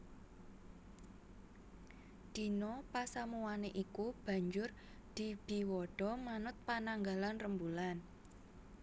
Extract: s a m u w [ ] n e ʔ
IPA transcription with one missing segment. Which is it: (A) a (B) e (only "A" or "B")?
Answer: A